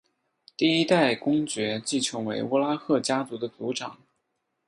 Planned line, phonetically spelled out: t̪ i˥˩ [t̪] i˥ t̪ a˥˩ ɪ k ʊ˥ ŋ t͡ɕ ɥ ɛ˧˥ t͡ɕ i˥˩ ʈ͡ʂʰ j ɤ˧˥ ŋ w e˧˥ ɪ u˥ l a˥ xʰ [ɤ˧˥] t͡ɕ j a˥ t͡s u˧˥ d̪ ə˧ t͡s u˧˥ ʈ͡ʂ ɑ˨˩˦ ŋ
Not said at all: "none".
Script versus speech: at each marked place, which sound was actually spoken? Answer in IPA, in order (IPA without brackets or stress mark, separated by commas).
none, ɤ˥˩